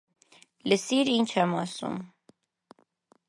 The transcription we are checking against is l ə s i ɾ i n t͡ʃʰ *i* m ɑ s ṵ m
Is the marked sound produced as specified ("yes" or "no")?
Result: no